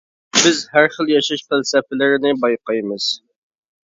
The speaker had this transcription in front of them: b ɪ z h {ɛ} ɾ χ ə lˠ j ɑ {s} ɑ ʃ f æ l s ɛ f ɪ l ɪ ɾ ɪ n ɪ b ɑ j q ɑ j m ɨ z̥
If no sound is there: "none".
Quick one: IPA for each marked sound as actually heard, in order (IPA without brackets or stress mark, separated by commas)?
æ, ʃ